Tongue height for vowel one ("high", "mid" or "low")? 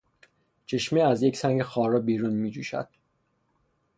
mid